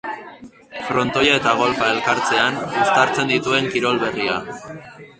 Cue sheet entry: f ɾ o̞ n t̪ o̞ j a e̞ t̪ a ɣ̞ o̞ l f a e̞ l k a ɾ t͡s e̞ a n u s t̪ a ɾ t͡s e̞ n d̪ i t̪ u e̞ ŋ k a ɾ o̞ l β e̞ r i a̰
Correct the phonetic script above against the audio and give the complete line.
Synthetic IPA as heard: f ɾ o̞ n t̪ o̞ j a e̞ t̪ a ɣ̞ o̞ l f a e̞ l k a ɾ t͡s e̞ a n u s t̪ a ɾ t͡s e̞ n d̪ i t̪ u e̞ ŋ k i ɾ o̞ l β e̞ r i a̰